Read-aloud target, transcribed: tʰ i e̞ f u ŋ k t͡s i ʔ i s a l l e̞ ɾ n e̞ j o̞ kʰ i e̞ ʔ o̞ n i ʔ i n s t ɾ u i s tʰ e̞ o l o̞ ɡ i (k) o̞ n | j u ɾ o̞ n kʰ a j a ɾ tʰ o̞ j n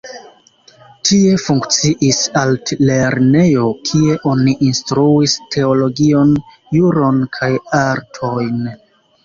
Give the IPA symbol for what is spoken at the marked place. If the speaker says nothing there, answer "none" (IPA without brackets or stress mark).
none